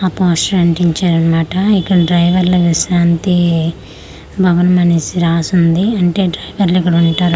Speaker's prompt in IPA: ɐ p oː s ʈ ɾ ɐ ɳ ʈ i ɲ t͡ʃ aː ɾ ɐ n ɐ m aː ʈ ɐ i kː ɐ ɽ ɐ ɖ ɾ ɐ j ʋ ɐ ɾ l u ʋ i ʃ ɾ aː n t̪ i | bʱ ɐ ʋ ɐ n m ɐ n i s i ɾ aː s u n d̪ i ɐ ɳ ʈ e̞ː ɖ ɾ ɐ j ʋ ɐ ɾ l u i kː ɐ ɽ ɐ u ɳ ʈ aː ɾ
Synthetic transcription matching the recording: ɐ p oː s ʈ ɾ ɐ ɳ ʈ i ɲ t͡ʃ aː ɾ ɐ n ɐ m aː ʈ ɐ i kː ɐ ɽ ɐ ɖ ɾ ɐ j ʋ ɐ ɾ l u ʋ i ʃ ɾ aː n t̪ i | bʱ ɐ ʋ ɐ n m ɐ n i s i ɾ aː s u n d̪ i ɐ ɳ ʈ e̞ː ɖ ɾ ɐ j ʋ ɐ ɾ l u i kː ɐ ɽ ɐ u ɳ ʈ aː ɾ